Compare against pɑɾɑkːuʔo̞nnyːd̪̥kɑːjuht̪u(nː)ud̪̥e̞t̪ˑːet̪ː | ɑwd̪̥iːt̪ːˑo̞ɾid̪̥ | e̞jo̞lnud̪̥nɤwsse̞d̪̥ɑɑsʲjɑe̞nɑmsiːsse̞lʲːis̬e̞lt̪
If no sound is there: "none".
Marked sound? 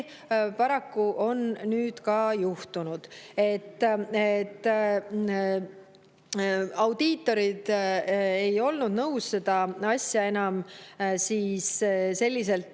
n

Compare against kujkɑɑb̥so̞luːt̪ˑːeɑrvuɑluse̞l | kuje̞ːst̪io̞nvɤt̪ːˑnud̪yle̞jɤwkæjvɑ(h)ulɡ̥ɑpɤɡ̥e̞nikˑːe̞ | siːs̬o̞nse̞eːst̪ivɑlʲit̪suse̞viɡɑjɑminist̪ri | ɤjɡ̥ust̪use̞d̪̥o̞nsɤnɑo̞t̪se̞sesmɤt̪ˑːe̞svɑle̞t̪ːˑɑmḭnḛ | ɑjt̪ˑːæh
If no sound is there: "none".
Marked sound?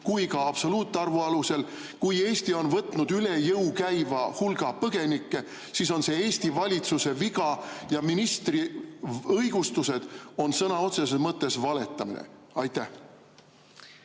h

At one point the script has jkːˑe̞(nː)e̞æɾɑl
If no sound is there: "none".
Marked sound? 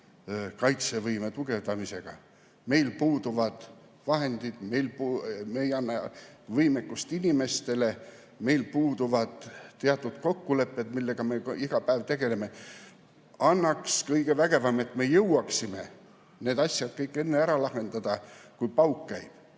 nː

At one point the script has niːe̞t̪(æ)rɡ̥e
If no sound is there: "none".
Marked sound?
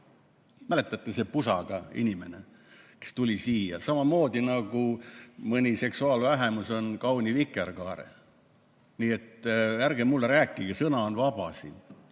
æ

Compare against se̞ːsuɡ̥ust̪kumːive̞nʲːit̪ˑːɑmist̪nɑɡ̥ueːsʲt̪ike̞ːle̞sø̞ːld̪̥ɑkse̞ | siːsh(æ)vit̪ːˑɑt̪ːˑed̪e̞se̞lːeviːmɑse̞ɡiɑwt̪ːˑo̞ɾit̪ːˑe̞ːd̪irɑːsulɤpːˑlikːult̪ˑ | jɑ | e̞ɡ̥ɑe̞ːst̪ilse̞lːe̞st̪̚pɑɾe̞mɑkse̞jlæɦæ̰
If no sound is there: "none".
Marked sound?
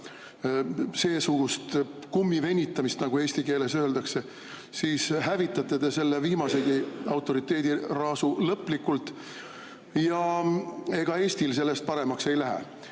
æ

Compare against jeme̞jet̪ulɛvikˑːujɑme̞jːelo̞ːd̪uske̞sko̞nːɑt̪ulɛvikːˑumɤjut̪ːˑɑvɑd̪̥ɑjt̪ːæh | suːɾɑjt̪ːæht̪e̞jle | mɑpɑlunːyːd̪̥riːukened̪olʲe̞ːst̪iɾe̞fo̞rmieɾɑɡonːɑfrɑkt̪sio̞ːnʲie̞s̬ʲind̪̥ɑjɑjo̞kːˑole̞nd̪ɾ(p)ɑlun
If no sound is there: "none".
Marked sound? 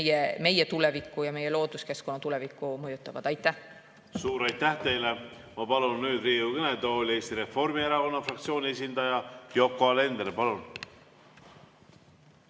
p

